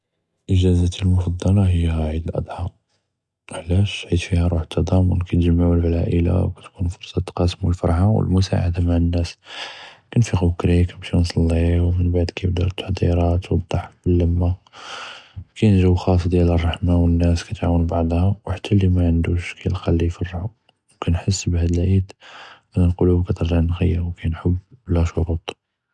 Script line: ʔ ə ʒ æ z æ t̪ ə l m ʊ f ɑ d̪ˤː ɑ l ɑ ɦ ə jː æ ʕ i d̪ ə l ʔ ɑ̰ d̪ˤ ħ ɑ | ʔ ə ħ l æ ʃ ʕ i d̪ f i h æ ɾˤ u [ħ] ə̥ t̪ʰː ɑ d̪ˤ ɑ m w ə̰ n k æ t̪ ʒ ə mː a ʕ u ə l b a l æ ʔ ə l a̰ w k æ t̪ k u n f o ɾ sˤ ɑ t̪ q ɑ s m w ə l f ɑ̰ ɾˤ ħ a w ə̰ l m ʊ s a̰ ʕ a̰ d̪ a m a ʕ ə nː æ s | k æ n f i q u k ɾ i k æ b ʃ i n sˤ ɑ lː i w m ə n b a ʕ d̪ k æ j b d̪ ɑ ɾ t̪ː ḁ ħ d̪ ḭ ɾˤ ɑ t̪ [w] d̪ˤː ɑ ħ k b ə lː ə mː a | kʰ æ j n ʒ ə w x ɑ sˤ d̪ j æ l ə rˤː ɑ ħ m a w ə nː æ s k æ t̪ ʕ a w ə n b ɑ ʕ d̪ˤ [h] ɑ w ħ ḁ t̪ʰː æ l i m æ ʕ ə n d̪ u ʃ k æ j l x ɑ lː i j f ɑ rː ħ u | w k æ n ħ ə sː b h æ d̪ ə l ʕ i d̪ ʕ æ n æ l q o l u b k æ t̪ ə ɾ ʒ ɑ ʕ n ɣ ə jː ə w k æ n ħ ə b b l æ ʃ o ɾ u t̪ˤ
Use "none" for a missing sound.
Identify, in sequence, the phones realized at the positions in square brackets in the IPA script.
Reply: ħ, w, h

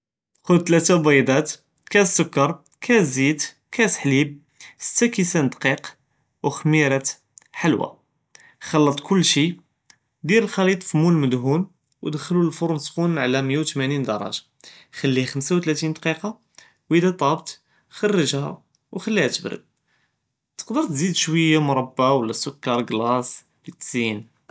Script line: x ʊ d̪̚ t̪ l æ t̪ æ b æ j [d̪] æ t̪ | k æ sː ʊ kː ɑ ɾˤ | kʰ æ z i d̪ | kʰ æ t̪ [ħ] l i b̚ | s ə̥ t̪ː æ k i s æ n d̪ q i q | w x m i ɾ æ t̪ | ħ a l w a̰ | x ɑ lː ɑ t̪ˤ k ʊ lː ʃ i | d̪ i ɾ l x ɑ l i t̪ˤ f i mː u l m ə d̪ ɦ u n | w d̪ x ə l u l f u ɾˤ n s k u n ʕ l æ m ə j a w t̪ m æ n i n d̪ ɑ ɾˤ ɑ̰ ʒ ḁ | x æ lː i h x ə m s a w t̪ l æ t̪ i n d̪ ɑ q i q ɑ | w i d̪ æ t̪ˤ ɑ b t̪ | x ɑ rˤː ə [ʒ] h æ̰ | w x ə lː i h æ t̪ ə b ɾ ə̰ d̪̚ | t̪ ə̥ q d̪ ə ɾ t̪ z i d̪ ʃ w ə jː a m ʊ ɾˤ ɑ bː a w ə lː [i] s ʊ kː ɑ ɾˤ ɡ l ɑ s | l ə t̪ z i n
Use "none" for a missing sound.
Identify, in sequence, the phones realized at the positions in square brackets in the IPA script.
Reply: d̪, ħ, ʒ, æ

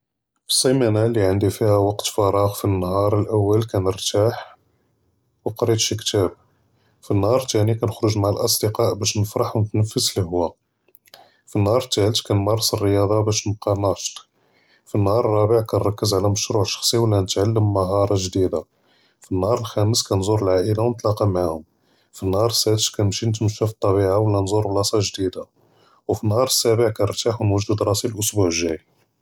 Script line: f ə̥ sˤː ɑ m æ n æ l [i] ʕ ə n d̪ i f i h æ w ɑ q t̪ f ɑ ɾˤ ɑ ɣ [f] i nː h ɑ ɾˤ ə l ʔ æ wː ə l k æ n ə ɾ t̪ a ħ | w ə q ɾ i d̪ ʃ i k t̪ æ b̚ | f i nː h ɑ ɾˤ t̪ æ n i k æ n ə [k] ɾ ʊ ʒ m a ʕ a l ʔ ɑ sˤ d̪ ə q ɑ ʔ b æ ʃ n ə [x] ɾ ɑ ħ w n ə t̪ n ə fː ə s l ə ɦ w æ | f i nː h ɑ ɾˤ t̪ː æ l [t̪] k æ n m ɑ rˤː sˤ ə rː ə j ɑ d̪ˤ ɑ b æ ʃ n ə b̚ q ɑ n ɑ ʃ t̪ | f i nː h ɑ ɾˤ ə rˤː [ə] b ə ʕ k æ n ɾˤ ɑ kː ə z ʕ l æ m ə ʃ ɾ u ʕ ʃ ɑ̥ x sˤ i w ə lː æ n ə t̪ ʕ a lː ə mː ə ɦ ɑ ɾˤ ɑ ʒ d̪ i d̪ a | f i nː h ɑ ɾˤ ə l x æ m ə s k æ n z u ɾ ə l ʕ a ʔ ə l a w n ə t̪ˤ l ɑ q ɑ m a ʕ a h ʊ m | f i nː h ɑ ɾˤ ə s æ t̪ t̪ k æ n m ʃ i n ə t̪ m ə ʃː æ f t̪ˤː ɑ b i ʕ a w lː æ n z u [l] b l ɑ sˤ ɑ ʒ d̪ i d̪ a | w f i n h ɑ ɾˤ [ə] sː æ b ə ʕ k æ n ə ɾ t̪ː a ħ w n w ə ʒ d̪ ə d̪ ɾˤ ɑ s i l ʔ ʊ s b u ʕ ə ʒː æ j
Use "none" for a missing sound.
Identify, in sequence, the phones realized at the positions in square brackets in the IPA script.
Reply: i, f, x, f, t̪, ɑ, ɾ, ə

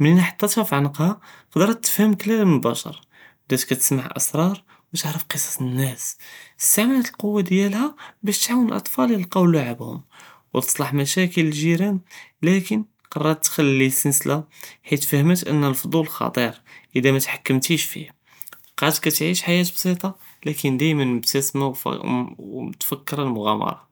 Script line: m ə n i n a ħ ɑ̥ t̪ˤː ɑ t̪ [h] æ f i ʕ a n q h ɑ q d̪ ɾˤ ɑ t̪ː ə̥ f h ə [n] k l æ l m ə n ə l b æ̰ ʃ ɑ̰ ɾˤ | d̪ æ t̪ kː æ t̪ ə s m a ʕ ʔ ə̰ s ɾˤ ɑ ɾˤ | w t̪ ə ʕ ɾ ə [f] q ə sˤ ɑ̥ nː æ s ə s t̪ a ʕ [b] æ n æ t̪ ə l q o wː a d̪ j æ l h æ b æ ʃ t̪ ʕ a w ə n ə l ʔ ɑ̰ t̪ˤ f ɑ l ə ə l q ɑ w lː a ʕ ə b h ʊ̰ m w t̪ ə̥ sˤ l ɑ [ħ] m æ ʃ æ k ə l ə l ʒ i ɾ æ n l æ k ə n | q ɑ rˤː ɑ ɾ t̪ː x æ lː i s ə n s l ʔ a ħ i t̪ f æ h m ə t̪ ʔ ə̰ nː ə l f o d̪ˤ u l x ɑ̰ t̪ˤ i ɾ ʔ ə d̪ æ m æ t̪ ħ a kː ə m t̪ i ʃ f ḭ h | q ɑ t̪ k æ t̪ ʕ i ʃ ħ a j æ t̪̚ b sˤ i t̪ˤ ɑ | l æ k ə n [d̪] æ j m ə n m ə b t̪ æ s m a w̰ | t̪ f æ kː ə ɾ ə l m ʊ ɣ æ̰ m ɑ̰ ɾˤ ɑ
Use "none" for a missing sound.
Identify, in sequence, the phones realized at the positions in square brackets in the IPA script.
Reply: h, m, f, m, ħ, d̪

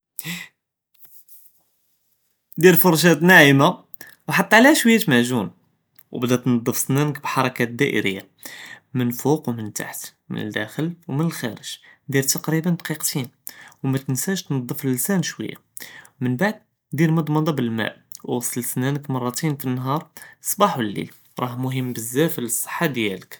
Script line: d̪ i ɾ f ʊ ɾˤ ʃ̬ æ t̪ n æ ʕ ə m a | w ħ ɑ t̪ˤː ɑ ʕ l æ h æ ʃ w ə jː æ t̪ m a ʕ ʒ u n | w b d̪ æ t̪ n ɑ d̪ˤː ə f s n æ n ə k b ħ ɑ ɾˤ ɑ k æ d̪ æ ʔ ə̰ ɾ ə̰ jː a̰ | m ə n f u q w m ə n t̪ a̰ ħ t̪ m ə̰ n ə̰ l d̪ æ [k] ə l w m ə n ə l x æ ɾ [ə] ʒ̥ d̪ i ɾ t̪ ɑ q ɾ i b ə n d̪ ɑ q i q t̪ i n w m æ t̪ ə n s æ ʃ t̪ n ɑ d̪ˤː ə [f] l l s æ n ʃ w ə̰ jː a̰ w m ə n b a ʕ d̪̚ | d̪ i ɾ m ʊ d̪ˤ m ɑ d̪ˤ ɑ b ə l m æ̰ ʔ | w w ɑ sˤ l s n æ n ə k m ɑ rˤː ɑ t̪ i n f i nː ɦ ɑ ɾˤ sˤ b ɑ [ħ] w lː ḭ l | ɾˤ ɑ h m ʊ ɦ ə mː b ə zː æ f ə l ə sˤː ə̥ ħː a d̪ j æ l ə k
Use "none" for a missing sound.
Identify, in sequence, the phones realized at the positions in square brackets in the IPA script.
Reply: x, ə, f, ħ

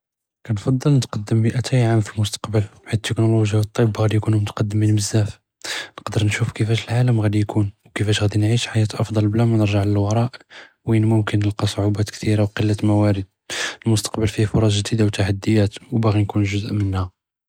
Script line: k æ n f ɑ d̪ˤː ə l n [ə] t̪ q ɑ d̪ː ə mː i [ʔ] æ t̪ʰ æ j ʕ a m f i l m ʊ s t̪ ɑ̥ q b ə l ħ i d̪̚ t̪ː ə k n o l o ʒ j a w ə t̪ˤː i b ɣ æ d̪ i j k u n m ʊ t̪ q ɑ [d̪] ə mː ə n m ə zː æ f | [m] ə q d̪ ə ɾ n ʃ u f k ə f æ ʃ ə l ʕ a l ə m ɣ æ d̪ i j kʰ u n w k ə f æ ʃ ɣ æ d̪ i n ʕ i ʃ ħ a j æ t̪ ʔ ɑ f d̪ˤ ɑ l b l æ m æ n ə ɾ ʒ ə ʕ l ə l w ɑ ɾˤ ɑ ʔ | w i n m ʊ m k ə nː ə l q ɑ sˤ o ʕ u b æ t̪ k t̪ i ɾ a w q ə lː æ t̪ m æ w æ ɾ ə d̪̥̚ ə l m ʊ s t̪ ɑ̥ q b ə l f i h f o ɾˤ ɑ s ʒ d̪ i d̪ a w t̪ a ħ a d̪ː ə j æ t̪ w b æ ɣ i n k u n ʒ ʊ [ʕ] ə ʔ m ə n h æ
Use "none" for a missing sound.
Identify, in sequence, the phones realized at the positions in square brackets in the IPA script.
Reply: ə, ʔ, d̪ː, n, z

